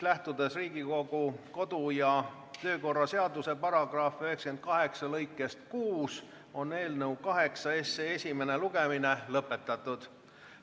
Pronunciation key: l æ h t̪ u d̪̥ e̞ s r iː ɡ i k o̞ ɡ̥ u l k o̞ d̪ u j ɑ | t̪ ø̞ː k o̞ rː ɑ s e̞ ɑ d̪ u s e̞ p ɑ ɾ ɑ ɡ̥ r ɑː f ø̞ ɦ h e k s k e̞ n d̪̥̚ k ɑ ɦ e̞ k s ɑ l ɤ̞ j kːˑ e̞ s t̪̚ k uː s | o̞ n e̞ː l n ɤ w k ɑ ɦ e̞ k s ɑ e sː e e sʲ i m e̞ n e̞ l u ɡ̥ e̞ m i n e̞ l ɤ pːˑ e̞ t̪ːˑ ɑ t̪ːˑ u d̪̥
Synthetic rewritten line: l æ h t̪ u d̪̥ e̞ s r iː ɡ i k o̞ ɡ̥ u k o̞ d̪ u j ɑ | t̪ ø̞ː k o̞ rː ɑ s e̞ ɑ d̪ u s e̞ p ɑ ɾ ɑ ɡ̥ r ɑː f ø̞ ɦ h e k s k e̞ n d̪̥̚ k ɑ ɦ e̞ k s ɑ l ɤ̞ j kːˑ e̞ s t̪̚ k uː s | o̞ n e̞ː l n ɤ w k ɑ ɦ e̞ k s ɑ e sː e e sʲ i m e̞ n e̞ l u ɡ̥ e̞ m i n e̞ l ɤ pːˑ e̞ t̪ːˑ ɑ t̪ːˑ u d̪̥

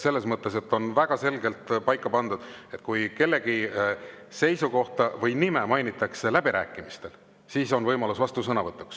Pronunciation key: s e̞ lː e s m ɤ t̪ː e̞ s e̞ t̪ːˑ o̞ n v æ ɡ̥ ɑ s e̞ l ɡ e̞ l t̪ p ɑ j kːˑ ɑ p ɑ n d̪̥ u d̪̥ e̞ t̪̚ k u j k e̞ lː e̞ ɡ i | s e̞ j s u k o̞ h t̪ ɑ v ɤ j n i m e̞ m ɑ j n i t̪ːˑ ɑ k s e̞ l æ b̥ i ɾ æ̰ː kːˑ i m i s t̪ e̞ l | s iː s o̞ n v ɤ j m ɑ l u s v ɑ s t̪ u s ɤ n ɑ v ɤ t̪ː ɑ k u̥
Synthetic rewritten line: s e̞ lː e s m ɤ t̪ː e̞ s e̞ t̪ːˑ o̞ n v æ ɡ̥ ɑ s e̞ l ɡ e̞ l t̪ p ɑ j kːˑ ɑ p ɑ n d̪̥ u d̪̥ e̞ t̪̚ k u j k e̞ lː e̞ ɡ i | s e̞ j s u k o̞ h t̪ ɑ v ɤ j n i m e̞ m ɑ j n i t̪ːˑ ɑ k s e̞ l æ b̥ i ɾ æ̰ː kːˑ i m i s t̪ e̞ l | s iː s o̞ n v ɤ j m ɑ l u s v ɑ s t̪ u s ɤ n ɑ v ɤ t̪ː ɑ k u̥

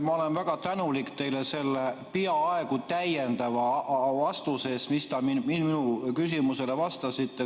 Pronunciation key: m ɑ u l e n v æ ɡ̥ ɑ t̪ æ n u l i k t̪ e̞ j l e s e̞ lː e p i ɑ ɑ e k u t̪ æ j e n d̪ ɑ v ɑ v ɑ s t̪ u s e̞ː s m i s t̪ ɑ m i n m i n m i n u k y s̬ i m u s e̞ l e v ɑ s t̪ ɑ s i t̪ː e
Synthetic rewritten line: m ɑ o l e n v æ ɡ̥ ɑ t̪ æ n u l i k t̪ e̞ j l e s e̞ lː e p i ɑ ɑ e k u t̪ æ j e n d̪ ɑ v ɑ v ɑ s t̪ u s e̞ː s m i s t̪ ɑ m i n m i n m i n u k y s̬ i m u s e̞ l e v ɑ s t̪ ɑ s i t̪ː e

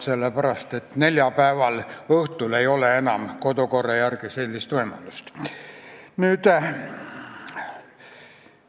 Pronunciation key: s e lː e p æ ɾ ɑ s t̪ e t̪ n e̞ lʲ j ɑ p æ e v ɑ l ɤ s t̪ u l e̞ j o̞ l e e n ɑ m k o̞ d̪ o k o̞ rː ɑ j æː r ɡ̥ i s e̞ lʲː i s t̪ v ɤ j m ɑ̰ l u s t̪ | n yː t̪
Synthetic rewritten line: s e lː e p æ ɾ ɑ s t̪ e t̪ n e̞ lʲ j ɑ p æ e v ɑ l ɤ h t̪ u l e̞ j o̞ l e e n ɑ m k o̞ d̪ o k o̞ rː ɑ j æ r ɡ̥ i s e̞ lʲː i s t̪ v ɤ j m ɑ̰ l u s t̪ | n yː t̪

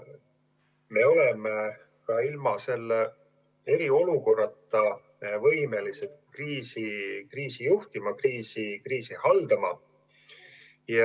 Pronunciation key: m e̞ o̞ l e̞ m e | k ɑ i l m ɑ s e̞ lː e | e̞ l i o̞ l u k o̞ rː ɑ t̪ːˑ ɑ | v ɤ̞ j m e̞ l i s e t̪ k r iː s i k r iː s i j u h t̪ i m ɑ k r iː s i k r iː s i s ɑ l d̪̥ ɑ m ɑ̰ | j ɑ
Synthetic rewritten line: m e̞ o̞ l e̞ m e | k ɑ i l m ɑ s e̞ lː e | e̞ ɾ i o̞ l u k o̞ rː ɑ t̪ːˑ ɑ | v ɤ̞ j m e̞ l i s e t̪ k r iː s i k r iː s i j u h t̪ i m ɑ k r iː s i k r iː s i h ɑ l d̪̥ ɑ m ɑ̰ | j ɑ

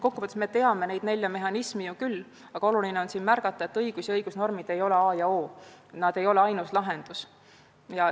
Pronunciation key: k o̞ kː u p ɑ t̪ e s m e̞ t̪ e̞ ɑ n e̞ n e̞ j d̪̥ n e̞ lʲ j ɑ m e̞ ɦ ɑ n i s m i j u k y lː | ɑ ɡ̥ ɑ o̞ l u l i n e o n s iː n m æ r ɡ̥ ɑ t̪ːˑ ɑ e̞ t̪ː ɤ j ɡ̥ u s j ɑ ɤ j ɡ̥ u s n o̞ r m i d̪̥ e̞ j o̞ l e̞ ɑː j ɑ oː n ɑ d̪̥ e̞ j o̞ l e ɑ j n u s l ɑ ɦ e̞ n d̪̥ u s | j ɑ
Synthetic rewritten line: k o̞ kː u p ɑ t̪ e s m e̞ t̪ e̞ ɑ m e̞ n e̞ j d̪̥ n e̞ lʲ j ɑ m e̞ ɦ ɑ n i s m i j u k y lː | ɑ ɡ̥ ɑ o̞ l u l i n e o n s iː n m æ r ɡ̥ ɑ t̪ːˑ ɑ e̞ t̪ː ɤ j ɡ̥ u s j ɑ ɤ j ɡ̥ u s n o̞ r m i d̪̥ e̞ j o̞ l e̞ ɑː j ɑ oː n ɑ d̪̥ e̞ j o̞ l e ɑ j n u s l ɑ ɦ e̞ n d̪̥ u s | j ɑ

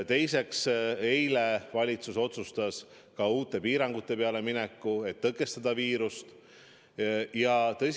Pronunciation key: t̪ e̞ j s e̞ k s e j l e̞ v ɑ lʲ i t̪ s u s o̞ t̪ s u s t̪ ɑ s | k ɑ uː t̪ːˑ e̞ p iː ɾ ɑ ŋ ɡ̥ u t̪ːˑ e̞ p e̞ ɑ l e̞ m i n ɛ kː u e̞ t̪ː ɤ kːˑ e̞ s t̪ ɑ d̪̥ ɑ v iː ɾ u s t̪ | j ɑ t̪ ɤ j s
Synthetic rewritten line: t̪ e̞ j s e̞ k s e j l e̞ v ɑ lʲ i t̪ s u s o̞ t̪ s u s t̪ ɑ s | k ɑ uː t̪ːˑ e̞ p iː ɾ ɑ ŋ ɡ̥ u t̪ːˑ e̞ p e̞ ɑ l e̞ m i n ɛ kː u e̞ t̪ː ɤ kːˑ e̞ s t̪ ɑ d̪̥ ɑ v iː ɾ u s t̪ | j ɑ t̪ ɤ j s

